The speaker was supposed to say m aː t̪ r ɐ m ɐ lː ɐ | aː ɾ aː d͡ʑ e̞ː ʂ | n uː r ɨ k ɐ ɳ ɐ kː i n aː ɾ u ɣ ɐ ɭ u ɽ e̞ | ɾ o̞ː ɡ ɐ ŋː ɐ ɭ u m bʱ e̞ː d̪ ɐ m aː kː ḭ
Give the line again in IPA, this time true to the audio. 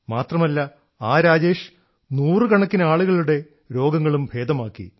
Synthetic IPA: m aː t̪ r ɐ m ɐ lː ɐ | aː ɾ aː d͡ʑ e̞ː ʂ | n uː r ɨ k ɐ ɳ ɐ kː i n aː ɭ u ɣ ɐ ɭ u ɽ e̞ | ɾ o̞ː ɡ ɐ ŋː ɐ ɭ u m bʱ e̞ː d̪ ɐ m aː kː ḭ